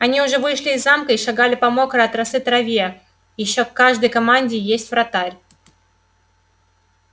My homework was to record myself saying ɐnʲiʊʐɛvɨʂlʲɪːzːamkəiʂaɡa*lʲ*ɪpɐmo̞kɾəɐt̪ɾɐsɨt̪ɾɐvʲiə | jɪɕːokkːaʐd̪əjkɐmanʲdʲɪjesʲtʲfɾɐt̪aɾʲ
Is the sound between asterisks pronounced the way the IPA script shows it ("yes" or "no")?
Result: yes